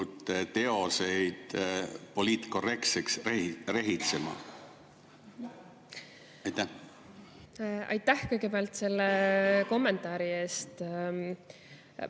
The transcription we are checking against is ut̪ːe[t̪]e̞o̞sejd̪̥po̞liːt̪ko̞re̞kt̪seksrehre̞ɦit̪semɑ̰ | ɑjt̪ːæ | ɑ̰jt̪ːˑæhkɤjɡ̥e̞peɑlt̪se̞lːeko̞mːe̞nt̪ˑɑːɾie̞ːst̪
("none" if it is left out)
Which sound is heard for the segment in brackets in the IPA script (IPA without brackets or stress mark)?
t̪